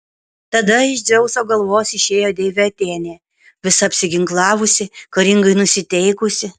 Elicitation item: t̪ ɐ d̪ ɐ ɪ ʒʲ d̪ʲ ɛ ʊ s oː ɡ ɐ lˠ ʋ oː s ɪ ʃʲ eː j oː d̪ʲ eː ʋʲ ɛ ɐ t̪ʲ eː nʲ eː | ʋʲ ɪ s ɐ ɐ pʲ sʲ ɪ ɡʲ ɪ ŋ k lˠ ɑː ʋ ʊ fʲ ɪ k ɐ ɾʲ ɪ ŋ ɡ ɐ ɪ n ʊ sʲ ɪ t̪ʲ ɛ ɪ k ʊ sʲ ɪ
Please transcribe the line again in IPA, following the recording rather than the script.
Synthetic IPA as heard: t̪ ɐ d̪ ɐ ɪ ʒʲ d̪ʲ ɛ ʊ s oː ɡ ɐ lˠ ʋ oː s ɪ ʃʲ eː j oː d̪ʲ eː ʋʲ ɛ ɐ t̪ʲ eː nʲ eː | ʋʲ ɪ s ɐ ɐ pʲ sʲ ɪ ɡʲ ɪ ŋ k lˠ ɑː ʋ ʊ sʲ ɪ k ɐ ɾʲ ɪ ŋ ɡ ɐ ɪ n ʊ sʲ ɪ t̪ʲ ɛ ɪ k ʊ sʲ ɪ